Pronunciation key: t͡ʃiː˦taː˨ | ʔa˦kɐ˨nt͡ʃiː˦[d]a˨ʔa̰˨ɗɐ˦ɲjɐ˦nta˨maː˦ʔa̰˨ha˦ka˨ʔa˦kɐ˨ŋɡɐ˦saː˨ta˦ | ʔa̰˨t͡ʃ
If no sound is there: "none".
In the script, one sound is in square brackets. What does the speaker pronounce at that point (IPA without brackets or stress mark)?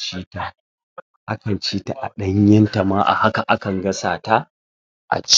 t